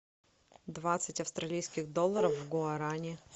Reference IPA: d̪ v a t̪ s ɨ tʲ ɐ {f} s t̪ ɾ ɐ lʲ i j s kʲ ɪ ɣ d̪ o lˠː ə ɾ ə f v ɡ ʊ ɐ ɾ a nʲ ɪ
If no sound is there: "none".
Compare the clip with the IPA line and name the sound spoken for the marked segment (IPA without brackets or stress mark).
f